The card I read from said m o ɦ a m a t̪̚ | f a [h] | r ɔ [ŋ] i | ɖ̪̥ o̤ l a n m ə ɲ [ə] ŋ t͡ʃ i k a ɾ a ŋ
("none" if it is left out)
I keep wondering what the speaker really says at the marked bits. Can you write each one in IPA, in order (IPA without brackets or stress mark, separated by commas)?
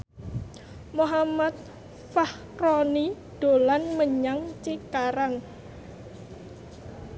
h, n, a